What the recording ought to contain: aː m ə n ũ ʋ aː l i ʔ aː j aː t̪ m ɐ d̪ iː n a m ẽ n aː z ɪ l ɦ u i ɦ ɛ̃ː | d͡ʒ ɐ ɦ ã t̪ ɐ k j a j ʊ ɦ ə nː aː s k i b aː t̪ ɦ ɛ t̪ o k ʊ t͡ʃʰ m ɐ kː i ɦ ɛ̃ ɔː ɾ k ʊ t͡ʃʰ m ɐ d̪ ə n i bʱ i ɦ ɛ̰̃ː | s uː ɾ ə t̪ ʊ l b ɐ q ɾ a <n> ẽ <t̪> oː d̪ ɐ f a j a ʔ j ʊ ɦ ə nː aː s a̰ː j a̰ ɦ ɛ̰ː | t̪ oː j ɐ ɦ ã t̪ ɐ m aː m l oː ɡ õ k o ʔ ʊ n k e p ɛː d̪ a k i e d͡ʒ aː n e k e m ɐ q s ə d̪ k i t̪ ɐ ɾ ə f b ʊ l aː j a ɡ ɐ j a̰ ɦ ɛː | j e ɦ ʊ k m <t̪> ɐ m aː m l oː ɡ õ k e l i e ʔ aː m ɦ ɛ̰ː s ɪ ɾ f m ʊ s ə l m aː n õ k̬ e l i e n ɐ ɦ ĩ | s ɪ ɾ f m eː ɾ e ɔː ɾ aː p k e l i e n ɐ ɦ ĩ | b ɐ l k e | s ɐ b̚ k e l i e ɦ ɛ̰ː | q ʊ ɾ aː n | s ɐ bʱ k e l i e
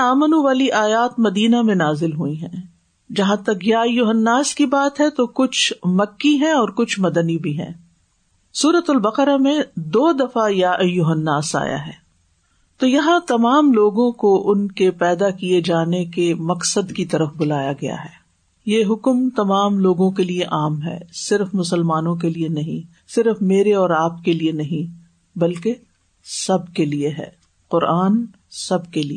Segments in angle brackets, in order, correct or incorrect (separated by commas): incorrect, incorrect, correct